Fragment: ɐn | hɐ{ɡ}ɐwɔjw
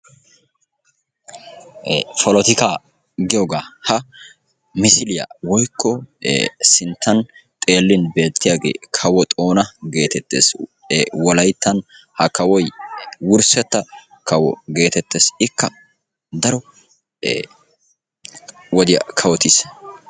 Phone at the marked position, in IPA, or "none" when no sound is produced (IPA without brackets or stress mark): k